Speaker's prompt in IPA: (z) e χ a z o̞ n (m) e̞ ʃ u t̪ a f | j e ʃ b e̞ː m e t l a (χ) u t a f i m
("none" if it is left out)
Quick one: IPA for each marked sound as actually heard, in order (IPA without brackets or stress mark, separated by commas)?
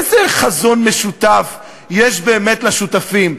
z, m, ʃ